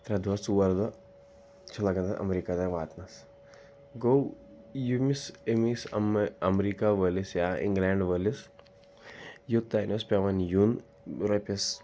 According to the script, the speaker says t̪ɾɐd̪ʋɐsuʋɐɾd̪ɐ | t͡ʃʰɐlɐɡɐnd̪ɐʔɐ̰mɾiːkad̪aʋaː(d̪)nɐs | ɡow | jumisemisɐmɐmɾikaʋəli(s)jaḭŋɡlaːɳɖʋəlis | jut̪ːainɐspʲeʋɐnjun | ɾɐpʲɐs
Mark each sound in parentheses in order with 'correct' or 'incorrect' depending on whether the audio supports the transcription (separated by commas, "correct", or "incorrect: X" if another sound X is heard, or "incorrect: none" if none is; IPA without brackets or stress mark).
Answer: incorrect: t̪, correct